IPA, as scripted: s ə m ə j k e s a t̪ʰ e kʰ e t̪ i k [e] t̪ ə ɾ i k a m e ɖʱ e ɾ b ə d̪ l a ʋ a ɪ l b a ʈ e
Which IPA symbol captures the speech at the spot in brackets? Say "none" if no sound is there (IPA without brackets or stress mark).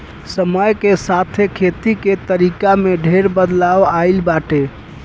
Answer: e